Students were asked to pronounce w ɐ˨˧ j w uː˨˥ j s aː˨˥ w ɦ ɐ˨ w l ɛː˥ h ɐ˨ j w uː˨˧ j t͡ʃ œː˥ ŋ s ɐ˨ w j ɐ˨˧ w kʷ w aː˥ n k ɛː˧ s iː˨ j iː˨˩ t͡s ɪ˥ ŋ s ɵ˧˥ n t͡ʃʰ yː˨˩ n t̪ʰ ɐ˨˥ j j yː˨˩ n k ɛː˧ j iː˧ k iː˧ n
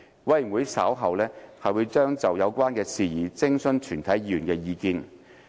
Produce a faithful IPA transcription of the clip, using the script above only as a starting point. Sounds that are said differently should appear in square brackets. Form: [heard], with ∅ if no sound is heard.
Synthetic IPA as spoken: w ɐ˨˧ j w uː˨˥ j s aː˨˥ w ɦ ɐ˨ w l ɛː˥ h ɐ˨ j w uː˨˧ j t͡ʃ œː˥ ŋ [t͡s] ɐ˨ w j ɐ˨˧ w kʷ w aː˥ n k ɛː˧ s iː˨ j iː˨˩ t͡s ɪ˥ ŋ s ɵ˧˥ n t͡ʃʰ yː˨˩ n t̪ʰ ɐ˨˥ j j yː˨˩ n k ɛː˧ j iː˧ k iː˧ n